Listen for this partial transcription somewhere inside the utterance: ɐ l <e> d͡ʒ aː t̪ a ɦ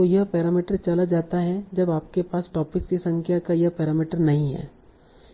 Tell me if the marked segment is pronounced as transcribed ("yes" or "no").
no